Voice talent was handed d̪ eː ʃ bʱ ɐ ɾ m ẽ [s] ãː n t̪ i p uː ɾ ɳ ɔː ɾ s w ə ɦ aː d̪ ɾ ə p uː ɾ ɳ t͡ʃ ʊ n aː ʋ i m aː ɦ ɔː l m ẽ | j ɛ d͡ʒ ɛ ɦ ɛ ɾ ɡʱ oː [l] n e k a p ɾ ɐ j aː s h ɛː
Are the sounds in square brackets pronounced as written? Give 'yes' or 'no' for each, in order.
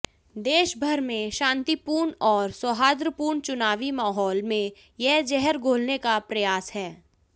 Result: no, yes

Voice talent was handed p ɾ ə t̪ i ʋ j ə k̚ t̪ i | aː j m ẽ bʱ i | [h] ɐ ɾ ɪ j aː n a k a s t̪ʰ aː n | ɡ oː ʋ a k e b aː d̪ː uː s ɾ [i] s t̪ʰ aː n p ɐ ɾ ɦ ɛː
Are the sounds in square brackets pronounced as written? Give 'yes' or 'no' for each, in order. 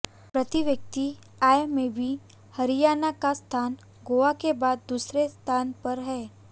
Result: yes, no

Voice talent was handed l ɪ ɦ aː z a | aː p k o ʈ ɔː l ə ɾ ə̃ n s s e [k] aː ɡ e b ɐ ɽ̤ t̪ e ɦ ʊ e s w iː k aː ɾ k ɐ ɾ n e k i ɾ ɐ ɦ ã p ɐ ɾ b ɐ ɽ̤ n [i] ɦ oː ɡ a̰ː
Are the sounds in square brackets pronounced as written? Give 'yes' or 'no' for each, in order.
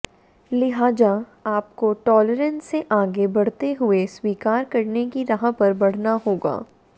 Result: no, no

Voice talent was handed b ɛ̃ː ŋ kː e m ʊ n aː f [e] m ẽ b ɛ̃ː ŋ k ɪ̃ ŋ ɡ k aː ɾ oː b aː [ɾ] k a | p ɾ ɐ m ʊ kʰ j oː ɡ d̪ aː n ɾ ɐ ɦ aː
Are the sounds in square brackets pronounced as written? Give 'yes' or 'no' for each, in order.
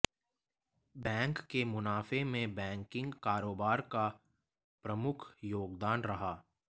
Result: yes, yes

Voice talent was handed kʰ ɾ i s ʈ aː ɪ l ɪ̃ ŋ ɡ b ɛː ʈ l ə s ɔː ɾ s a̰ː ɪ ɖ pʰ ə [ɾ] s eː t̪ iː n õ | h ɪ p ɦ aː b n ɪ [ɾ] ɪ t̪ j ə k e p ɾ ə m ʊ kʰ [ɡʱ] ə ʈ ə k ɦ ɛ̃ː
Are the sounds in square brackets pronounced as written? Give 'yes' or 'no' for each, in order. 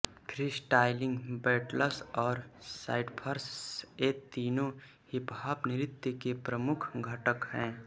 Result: yes, yes, yes

